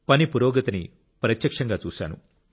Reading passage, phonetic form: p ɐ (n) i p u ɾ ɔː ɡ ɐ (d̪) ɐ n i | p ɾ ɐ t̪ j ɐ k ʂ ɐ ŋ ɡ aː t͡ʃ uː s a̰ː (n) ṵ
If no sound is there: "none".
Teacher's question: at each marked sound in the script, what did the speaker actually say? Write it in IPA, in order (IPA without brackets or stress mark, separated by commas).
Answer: n, t̪, n